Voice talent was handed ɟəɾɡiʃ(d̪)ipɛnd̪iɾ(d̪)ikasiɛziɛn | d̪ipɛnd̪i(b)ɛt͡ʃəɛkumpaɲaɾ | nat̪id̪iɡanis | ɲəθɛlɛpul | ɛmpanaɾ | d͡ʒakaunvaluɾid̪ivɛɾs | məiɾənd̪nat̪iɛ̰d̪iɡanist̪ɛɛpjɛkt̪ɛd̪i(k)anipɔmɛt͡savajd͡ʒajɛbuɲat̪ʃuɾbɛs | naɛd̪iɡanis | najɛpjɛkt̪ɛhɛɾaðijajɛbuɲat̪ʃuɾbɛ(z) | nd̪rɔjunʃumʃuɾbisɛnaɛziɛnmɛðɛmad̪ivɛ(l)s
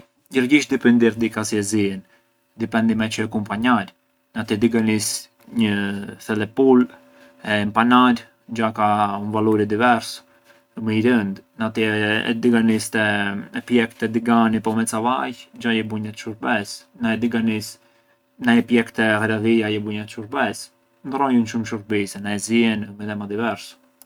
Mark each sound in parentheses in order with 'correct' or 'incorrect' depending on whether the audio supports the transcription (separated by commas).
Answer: correct, correct, incorrect, incorrect, incorrect, incorrect